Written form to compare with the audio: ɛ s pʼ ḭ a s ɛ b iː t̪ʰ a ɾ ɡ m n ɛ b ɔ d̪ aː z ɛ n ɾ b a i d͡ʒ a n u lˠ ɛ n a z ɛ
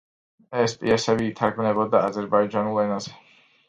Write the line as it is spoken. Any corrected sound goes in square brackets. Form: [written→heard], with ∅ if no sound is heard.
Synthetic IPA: ɛ s pʼ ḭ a s ɛ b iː t̪ʰ a ɾ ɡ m n ɛ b ɔ d̪ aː z ɛ [n→∅] ɾ b a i d͡ʒ a n u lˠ ɛ n a z ɛ

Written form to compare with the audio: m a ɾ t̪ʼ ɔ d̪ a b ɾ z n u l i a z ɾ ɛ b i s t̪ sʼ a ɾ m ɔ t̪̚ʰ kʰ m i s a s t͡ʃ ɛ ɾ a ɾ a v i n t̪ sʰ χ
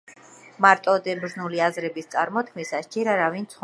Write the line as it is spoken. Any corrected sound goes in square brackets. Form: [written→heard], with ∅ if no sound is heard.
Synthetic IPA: m a ɾ t̪ʼ ɔ d̪ [a→ɛ] b ɾ z n u l i a z ɾ ɛ b i s t̪ sʼ a ɾ m ɔ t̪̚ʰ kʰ m i s a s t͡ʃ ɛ ɾ a ɾ a v i n t̪ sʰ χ

